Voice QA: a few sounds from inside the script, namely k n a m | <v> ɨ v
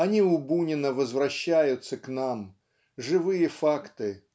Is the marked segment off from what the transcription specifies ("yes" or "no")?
yes